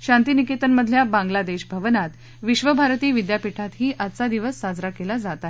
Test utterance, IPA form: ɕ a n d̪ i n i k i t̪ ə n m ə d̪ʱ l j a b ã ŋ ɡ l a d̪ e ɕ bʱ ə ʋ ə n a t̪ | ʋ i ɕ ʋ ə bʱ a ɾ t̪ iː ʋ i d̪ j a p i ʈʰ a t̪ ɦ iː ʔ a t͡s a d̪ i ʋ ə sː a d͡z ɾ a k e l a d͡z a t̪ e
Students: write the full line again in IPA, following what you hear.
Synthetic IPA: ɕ a n t̪ i n i k i t̪ ə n m ə d̪ʱ l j a b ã ŋ ɡ l a d̪ e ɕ bʱ ə ʋ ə n a t̪ | ʋ i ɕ ʋ ə bʱ a ɾ t̪ iː ʋ i d̪ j a p i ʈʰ a t̪ ɦ iː ʔ a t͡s a d̪ i ʋ ə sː a d͡z ɾ a k e l a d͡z a t̪ a

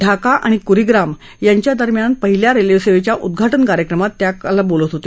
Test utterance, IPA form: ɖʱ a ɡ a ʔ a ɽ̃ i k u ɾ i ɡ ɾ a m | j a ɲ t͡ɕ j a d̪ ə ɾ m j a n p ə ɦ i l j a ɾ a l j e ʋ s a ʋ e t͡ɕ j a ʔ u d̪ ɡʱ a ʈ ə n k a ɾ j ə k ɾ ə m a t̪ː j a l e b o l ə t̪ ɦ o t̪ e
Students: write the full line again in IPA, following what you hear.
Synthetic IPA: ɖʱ a k a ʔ a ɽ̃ i k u ɾ i ɡ ɾ a m | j a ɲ t͡ɕ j a d̪ ə ɾ m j a n p ə ɦ i l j a ɾ e l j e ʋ s e ʋ e t͡ɕ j a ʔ u d̪ ɡʱ a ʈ ə n k a ɾ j ə k ɾ ə m a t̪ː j a l a b o l ə t̪ ɦ o t̪ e

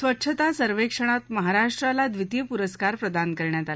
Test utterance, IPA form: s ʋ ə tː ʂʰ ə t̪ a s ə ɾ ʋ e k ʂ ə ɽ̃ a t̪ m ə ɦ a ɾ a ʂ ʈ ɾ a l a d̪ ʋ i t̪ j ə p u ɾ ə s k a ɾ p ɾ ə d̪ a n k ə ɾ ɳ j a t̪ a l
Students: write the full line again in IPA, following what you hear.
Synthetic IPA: s ʋ ə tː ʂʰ ə t̪ a s ə ɾ ʋ e k ʂ ə ɽ̃ a t̪ m ə ɦ a ɾ a ʂ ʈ ɾ a l a d̪ ʋ i t̪ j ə p u ɾ ə s k a ɾ p ɾ ə d̪ a n k ə ɾ ɳ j a t̪ a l

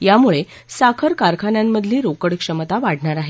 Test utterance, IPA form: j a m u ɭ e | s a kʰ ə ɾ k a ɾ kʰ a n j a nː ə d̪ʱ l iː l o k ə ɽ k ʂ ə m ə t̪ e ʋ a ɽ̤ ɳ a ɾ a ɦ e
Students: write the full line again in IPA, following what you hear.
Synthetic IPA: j a m u ɭ e | s a kʰ ə ɾ k a ɾ kʰ a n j a mː ə d̪ʱ l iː ɾ o k ə ɽ k ʂ ə m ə t̪ a ʋ a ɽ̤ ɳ a ɾ a ɦ e

